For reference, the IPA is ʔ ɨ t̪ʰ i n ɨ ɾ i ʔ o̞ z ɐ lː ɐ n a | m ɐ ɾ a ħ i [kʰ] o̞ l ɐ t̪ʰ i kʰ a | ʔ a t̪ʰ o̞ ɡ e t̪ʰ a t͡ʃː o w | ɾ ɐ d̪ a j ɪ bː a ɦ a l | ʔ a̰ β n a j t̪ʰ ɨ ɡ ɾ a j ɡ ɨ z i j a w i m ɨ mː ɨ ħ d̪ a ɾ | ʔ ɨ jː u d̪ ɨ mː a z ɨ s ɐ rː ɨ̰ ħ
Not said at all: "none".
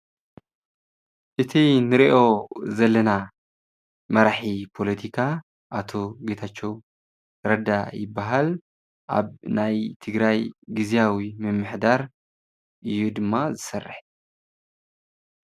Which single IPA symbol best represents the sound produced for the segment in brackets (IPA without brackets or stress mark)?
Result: pʰ